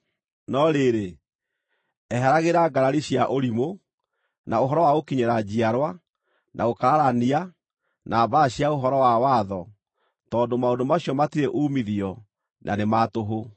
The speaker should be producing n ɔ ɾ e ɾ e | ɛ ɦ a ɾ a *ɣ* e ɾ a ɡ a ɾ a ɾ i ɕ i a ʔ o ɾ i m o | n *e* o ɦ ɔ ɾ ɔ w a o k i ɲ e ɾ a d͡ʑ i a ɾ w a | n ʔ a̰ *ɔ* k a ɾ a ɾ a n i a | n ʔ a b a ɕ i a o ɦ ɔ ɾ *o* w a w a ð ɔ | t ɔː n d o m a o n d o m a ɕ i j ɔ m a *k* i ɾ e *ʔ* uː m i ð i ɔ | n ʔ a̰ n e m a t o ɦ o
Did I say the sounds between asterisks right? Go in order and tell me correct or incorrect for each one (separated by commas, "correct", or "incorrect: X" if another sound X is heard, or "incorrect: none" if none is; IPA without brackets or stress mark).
correct, incorrect: a, incorrect: o, incorrect: ɔ, incorrect: t, correct